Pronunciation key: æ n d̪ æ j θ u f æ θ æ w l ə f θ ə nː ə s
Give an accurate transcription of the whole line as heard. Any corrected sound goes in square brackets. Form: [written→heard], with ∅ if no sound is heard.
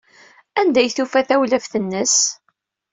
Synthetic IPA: æ n d̪ æ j θ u f æ θ æ w l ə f θ ə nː ə s